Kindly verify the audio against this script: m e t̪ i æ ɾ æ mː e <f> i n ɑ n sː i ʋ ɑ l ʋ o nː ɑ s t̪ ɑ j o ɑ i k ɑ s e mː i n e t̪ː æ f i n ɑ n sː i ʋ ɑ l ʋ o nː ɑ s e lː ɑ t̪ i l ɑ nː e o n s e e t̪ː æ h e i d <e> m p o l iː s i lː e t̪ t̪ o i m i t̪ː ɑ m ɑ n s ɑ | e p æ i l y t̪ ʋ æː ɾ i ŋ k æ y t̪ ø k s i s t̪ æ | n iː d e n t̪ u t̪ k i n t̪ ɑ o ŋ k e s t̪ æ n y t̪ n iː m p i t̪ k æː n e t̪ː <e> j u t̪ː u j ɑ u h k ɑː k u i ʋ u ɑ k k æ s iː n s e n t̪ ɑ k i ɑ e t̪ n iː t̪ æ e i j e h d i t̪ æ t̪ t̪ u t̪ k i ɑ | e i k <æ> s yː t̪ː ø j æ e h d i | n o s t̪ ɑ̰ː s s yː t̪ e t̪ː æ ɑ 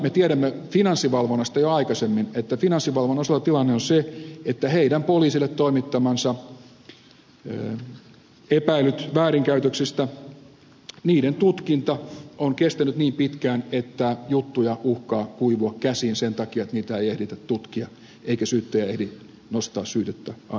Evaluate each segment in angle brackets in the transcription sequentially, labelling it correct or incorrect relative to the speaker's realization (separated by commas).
correct, incorrect, incorrect, correct